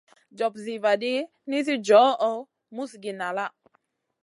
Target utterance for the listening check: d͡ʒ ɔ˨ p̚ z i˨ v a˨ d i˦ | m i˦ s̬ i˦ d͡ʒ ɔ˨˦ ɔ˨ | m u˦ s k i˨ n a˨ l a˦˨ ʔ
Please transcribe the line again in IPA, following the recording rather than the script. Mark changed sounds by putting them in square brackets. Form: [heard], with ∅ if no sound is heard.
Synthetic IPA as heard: d͡ʒ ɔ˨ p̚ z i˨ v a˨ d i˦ | [n] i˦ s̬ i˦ d͡ʒ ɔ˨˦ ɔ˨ | m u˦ s [ɡ] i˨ n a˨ l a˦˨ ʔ